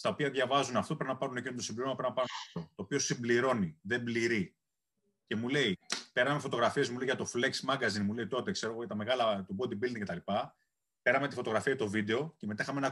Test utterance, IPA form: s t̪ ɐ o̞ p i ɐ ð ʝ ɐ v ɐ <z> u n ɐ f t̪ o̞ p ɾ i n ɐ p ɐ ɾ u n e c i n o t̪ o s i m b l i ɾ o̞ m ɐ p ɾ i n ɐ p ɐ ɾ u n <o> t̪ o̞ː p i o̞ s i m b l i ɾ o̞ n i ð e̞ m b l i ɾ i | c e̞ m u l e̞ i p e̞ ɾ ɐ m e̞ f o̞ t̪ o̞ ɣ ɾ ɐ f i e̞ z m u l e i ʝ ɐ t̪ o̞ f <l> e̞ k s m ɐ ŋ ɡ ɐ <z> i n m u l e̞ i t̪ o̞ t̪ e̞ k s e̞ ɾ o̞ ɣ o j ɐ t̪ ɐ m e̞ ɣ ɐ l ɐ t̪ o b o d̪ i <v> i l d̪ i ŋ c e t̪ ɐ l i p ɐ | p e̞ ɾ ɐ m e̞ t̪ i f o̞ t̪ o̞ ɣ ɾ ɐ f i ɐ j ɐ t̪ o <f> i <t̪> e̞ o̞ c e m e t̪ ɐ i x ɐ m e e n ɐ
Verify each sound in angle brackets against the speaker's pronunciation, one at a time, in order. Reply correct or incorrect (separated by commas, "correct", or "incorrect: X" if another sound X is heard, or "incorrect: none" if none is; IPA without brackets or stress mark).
correct, correct, correct, correct, incorrect: b, incorrect: v, incorrect: d̪